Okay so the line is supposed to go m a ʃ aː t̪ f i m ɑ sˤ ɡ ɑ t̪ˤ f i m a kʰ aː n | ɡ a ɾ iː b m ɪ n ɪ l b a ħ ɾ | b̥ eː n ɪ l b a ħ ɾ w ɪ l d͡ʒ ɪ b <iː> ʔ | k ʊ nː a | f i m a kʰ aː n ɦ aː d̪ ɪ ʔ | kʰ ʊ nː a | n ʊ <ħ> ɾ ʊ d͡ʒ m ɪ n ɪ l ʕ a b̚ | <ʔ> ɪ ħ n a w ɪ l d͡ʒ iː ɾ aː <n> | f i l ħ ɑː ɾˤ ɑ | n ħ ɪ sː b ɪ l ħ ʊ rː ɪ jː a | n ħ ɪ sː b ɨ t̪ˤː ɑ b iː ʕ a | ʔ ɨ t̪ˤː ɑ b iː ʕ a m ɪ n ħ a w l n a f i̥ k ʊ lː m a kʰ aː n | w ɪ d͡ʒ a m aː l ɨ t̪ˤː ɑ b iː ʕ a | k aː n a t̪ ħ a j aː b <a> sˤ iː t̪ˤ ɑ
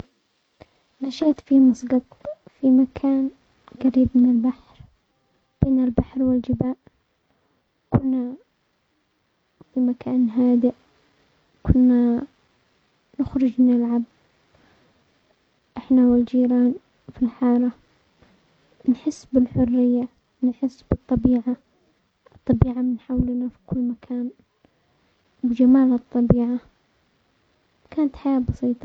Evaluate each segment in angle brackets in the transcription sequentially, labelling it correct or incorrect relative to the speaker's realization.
incorrect: aː, incorrect: x, correct, correct, incorrect: ɑ

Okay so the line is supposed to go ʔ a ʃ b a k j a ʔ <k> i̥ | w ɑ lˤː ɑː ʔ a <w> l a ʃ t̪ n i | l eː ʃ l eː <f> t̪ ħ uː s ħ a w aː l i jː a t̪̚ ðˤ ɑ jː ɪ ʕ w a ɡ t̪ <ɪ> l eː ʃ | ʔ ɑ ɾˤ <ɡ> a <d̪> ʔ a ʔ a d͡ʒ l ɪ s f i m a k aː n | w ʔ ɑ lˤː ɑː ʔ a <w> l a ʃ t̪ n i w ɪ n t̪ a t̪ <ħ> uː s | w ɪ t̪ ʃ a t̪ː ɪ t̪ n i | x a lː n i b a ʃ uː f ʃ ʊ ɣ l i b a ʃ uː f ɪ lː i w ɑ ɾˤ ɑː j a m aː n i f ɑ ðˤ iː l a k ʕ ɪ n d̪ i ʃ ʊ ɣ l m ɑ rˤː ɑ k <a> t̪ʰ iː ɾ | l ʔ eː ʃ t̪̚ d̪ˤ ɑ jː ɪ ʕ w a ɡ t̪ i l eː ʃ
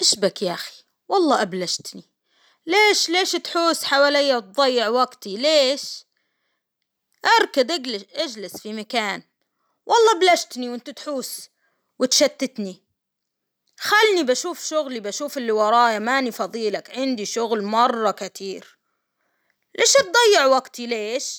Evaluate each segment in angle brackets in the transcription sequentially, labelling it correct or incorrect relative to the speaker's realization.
incorrect: x, incorrect: b, incorrect: ʃ, incorrect: i, incorrect: k, correct, incorrect: b, correct, correct

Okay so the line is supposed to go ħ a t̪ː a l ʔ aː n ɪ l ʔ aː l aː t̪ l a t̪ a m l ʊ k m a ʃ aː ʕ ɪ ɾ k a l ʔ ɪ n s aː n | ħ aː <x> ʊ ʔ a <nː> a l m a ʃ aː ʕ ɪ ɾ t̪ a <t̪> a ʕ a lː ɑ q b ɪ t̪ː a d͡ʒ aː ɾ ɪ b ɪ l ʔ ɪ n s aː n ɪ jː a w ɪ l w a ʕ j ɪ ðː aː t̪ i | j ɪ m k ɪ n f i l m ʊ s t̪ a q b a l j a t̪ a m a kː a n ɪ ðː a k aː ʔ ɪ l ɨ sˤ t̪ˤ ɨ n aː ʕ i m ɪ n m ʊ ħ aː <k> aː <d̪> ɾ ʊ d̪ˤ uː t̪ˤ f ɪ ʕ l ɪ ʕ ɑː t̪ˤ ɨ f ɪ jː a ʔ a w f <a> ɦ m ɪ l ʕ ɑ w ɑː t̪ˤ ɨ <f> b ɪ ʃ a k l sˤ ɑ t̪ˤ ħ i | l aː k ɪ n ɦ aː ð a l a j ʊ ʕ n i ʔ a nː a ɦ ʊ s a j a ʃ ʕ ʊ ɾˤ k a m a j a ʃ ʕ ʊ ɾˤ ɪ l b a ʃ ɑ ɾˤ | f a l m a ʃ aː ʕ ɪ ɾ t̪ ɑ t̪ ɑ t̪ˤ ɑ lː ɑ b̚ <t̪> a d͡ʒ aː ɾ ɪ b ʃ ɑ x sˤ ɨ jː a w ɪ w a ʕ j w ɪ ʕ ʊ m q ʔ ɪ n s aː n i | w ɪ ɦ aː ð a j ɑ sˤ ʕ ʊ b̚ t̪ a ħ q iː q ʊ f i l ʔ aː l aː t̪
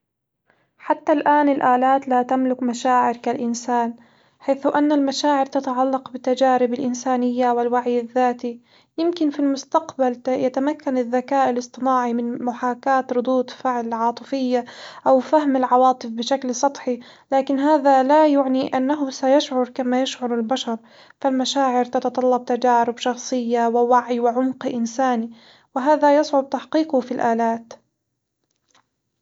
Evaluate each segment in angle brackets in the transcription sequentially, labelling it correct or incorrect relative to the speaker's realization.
incorrect: θ, correct, correct, correct, incorrect: t̪, correct, correct, correct

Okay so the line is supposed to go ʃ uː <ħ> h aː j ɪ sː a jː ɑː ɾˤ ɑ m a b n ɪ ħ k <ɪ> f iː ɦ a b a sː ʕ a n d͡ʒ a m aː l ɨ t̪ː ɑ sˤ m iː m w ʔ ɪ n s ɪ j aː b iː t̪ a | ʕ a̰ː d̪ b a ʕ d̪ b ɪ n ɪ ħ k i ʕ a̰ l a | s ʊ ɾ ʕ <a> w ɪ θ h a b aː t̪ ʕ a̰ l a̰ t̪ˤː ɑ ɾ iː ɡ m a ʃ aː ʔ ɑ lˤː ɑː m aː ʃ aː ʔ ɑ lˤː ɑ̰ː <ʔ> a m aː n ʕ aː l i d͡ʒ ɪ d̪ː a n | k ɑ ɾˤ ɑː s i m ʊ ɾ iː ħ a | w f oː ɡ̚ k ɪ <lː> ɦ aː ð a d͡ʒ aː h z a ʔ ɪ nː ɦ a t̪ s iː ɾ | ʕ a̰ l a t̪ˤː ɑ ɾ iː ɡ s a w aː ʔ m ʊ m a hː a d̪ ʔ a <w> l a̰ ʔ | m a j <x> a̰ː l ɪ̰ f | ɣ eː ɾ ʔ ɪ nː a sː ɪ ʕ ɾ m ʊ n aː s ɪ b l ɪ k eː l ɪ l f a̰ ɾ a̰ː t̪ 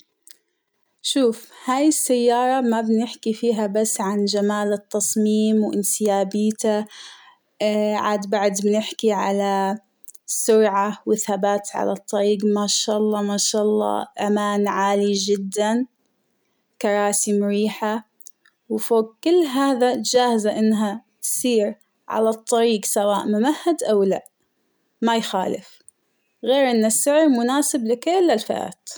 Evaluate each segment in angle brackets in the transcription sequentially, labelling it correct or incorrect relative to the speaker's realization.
incorrect: f, incorrect: i, correct, correct, correct, correct, correct

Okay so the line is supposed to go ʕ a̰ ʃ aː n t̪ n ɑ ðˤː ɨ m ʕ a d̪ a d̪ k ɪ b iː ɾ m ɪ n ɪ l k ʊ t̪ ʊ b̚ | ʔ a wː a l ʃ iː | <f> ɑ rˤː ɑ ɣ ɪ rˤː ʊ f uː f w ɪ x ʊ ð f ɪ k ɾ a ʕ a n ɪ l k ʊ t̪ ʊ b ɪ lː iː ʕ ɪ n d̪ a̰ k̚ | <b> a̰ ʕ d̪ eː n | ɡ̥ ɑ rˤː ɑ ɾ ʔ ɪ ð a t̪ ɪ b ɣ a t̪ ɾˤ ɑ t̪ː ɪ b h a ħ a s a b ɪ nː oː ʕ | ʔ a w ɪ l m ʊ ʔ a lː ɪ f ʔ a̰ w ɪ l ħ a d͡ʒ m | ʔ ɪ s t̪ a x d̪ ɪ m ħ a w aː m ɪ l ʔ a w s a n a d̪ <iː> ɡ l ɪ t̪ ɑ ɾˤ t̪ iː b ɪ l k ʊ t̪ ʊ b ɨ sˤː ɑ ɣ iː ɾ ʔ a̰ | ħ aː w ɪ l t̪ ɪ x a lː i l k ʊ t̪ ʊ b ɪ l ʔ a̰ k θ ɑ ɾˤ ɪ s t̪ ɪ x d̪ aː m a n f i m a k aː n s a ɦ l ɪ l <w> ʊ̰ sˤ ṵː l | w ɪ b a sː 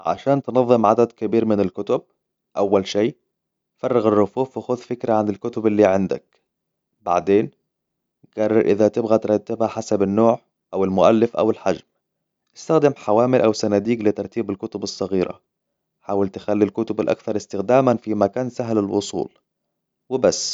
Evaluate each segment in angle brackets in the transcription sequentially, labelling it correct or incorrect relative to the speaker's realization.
correct, correct, correct, correct

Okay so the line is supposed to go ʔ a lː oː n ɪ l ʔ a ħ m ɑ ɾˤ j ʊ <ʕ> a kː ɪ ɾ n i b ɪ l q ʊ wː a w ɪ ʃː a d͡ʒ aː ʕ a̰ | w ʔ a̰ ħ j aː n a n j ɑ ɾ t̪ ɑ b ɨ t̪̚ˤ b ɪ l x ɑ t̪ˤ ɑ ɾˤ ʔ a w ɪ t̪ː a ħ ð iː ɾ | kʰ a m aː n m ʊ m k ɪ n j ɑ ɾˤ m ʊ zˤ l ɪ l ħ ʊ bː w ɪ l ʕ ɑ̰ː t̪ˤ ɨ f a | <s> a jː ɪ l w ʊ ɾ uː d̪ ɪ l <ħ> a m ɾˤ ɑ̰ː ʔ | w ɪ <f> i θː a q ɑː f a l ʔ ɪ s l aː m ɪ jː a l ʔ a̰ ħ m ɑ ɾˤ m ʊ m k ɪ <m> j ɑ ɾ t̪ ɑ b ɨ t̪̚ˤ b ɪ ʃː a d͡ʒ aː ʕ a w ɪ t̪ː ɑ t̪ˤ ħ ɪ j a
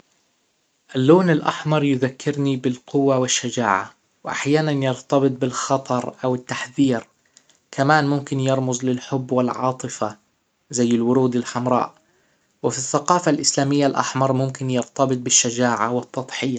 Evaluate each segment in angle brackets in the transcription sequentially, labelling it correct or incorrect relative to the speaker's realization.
incorrect: ð, incorrect: z, correct, correct, incorrect: n

